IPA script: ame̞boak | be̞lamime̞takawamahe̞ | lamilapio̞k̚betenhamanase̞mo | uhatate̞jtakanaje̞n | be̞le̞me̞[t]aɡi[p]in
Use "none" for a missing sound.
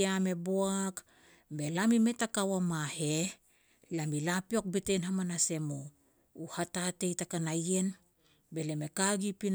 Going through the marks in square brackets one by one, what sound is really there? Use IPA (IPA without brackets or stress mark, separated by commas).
k, p